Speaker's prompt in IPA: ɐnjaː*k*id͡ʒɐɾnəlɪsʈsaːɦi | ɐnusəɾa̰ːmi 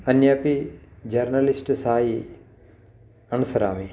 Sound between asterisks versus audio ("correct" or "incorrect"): incorrect